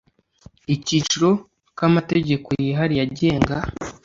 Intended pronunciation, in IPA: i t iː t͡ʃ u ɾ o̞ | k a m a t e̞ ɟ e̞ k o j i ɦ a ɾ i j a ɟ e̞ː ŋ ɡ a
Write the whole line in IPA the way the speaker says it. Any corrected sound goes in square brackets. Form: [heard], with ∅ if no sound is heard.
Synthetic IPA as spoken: i [c] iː t͡ʃ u ɾ o̞ | k a m a t e̞ ɟ e̞ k o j i ɦ a ɾ i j a ɟ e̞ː ŋ ɡ a